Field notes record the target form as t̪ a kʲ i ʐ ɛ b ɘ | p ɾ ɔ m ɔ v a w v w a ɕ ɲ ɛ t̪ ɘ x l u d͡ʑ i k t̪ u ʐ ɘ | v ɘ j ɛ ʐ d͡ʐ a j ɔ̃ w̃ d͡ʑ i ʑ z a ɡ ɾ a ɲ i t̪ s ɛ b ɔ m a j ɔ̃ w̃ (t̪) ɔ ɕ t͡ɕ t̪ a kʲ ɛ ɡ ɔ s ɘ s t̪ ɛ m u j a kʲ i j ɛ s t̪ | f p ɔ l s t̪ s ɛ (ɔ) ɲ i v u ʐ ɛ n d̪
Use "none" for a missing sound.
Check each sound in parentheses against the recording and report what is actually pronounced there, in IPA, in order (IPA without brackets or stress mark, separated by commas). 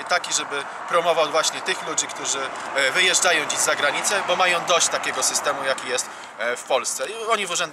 d̪, ɔ